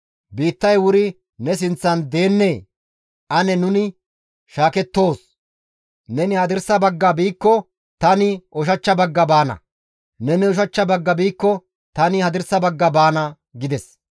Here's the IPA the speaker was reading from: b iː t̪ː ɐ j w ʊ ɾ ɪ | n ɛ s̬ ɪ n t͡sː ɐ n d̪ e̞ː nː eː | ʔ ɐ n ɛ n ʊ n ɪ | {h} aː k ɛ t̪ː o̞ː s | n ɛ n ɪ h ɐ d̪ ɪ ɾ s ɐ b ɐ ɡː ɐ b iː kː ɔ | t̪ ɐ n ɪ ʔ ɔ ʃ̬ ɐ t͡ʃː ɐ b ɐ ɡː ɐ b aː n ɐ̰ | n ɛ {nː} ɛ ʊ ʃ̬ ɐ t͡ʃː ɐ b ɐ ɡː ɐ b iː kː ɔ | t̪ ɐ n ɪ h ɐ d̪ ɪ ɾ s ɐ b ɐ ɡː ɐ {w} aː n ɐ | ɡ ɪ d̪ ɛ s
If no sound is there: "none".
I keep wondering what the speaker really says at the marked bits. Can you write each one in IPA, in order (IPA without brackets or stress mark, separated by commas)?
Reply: ʃ, n, b